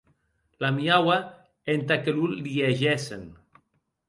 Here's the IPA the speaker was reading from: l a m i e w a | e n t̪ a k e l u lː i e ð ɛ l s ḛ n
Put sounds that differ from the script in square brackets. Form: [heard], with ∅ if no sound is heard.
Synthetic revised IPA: l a m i [a] w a | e n t̪ a k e l u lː i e [ʒ] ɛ [∅] s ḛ n